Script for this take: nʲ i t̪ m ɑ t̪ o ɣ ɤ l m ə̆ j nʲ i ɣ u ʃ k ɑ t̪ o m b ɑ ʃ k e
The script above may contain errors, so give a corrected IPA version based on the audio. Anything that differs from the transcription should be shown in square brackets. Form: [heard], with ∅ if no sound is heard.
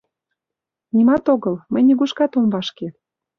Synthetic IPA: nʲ i [∅] m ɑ t̪ o ɣ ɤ l m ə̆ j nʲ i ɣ u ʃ k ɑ t̪ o m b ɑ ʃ k e

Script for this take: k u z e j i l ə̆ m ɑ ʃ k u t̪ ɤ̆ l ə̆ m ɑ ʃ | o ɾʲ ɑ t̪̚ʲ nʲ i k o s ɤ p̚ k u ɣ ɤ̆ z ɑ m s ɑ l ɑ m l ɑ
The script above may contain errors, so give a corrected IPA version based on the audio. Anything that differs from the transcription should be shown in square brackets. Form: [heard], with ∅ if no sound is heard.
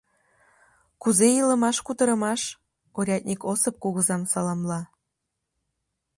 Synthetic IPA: k u z e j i l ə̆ m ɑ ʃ k u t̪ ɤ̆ [ɾ] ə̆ m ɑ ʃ | o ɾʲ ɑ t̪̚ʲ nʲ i k o s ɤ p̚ k u ɣ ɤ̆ z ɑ m s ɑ l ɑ m l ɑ

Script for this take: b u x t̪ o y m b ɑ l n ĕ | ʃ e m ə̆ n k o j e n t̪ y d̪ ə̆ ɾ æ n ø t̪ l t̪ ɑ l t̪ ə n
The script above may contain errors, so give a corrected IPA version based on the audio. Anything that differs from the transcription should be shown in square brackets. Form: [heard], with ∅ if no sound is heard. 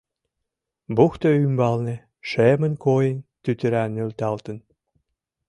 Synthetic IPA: b u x t̪ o y m b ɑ l n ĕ | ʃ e m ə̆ n k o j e n t̪ y [t̪] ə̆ ɾ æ n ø [∅] l t̪ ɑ l t̪ ə n

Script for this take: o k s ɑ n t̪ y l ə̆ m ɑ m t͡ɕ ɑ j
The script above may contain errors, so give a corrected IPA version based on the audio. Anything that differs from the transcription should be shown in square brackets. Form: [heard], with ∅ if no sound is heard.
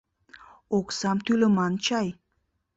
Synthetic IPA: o k s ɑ [m] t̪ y l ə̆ m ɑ [n] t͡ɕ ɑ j

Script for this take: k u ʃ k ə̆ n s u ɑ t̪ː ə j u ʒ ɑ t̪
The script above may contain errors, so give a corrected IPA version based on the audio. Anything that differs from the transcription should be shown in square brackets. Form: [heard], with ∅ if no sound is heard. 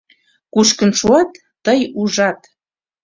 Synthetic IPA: k u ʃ k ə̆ n [ʃ] u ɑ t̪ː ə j u ʒ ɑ t̪

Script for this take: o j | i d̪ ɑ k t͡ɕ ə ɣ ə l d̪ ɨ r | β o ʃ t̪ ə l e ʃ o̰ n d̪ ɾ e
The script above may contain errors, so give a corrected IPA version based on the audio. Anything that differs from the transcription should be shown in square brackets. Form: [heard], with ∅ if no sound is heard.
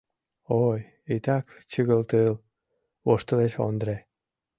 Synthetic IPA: o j | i [t̪] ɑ k t͡ɕ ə ɣ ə l [t̪] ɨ [l] | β o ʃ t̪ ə l e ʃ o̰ n d̪ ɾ e

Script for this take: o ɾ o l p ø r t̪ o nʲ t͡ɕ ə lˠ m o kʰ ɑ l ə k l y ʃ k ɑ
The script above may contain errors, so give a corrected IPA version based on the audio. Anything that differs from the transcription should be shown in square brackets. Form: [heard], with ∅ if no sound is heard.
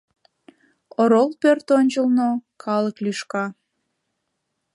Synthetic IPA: o ɾ o l p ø r t̪ o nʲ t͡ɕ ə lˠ [n] o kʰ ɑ l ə k l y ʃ k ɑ

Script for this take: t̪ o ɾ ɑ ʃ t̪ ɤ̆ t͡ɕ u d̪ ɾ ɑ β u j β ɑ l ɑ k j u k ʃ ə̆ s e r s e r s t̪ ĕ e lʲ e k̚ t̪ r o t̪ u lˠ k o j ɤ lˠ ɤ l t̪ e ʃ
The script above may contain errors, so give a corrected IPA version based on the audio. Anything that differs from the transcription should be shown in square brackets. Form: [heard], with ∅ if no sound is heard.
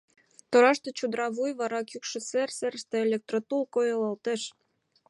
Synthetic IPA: t̪ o ɾ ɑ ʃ t̪ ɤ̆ t͡ɕ u d̪ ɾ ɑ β u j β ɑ [ɾ] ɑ k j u k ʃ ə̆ s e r s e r s t̪ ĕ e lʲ e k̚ t̪ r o t̪ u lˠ k o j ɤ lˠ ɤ l t̪ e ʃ

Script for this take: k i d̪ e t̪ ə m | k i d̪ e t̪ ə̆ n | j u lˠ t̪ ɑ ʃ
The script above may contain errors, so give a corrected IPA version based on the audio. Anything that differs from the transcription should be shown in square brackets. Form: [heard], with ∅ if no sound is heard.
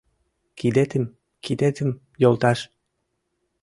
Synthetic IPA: k i d̪ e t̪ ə m | k i d̪ e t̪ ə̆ [m] | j [o] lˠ t̪ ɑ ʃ

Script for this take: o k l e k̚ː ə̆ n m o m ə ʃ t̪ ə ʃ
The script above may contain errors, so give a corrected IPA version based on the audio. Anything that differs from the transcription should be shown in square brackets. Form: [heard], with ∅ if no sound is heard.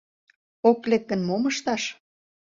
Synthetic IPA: o k l e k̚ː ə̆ n m o m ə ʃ t̪ [ɑ] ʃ

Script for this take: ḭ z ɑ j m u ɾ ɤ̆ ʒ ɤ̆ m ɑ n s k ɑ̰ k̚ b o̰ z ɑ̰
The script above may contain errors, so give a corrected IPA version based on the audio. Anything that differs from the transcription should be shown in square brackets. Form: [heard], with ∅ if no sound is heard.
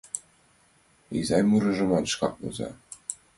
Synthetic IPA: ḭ z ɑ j m u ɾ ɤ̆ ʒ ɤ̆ m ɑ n [ʃ] k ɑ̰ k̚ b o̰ z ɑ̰

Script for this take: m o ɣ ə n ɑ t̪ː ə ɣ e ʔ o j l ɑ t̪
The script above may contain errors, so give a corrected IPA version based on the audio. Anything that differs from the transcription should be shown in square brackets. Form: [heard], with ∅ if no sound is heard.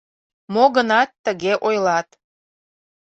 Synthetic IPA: m o ɣ ə n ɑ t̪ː ə ɣ e ʔ o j l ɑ t̪

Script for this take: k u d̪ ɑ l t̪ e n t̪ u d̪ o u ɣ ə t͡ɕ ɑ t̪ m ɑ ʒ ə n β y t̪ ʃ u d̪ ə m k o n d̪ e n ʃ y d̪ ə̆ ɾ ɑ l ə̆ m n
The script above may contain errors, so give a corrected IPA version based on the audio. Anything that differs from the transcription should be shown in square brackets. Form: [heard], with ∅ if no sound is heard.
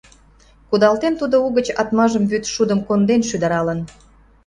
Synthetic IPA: k u d̪ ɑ l t̪ e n t̪ u d̪ o u ɣ ə t͡ɕ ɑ t̪ m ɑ ʒ ə [m] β y t̪ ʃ u d̪ ə m k o n d̪ e n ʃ y d̪ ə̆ ɾ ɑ l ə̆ [∅] n

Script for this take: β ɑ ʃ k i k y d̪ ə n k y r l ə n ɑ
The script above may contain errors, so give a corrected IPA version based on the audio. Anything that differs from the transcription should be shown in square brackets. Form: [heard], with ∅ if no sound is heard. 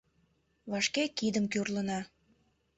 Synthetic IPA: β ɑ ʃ k [e] k [i] d̪ ə [m] k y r l ə n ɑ

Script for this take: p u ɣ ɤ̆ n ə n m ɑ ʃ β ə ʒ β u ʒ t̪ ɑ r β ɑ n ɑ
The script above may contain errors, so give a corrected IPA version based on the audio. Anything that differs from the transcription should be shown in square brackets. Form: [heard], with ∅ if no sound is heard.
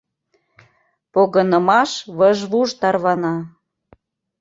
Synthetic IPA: p [o] ɣ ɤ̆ n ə [∅] m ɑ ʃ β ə ʒ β u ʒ t̪ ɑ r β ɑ n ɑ

